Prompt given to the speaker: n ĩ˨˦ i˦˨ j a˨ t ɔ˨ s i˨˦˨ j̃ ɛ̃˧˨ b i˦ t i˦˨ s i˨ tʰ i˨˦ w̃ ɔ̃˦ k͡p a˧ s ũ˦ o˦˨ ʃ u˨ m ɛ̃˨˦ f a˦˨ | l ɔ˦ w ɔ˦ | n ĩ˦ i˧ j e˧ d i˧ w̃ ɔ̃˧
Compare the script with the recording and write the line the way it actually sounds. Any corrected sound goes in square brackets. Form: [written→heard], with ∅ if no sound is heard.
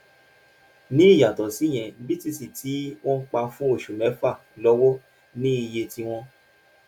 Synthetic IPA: n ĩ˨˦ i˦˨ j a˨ t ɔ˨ s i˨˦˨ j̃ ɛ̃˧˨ b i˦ t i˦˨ s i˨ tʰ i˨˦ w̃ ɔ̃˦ k͡p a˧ [s→f] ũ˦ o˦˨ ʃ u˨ m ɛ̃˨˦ f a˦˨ | l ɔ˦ w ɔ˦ | n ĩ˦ i˧ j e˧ [d→t] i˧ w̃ ɔ̃˧